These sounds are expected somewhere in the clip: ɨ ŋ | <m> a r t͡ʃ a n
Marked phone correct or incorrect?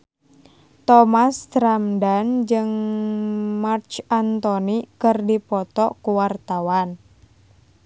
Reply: correct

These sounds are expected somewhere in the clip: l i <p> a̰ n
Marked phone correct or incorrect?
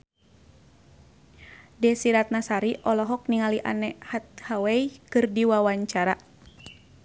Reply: incorrect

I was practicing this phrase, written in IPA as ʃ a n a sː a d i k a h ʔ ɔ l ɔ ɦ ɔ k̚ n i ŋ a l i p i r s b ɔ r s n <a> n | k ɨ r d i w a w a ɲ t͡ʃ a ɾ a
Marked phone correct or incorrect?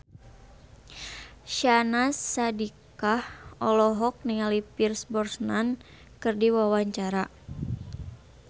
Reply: correct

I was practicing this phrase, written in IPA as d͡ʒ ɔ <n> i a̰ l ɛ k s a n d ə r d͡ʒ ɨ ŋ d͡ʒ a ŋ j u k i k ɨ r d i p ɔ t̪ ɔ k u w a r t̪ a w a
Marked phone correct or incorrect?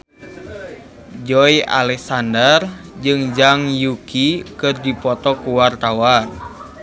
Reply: incorrect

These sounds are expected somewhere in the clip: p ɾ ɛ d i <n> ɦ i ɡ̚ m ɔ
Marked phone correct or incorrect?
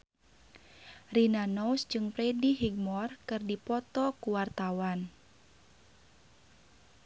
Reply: incorrect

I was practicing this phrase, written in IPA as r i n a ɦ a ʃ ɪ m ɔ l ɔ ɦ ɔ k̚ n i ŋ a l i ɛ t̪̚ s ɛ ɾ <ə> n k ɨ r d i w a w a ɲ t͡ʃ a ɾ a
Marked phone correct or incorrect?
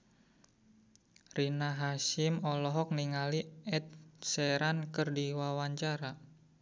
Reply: incorrect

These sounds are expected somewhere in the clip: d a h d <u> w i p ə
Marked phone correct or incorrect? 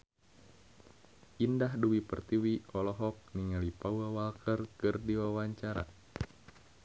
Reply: correct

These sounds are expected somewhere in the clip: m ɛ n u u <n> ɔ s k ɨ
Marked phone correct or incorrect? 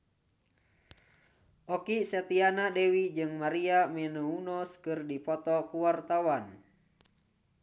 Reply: correct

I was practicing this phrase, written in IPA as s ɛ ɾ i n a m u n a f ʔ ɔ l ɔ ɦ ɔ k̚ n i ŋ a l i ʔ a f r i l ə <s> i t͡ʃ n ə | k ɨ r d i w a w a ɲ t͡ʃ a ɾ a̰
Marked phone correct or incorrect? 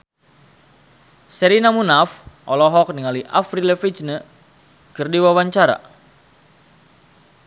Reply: incorrect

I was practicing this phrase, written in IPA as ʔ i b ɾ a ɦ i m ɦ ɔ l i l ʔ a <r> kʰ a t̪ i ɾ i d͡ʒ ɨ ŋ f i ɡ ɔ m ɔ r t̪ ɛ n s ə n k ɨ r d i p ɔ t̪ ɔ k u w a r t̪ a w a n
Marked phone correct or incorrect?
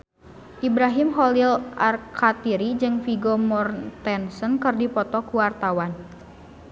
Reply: correct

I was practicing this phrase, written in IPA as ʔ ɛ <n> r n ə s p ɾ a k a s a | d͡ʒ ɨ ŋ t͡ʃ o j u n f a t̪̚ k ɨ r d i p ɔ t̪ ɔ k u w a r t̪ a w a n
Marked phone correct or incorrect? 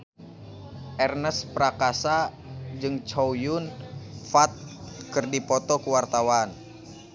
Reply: incorrect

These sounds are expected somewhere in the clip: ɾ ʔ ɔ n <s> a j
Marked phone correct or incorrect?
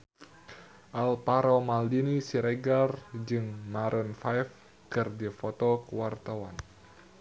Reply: incorrect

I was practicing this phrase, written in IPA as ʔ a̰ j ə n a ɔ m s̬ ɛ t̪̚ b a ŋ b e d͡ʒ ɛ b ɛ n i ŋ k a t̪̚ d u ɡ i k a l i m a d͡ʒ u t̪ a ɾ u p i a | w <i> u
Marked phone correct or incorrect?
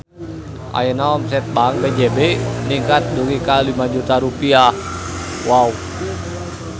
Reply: incorrect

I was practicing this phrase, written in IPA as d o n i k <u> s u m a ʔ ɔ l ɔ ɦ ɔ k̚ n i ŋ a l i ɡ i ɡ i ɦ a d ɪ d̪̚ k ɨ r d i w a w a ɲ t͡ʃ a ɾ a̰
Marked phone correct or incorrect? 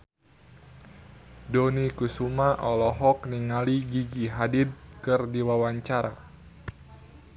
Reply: correct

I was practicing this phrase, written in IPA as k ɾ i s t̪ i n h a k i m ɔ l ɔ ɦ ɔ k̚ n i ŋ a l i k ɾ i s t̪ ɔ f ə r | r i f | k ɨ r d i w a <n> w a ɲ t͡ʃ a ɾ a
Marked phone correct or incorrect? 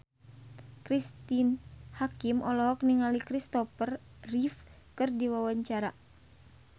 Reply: incorrect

